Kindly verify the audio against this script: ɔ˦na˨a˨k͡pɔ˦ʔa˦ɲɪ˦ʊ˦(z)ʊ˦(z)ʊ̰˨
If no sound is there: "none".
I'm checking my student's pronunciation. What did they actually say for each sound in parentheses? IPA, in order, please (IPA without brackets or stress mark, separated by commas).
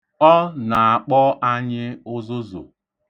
z, z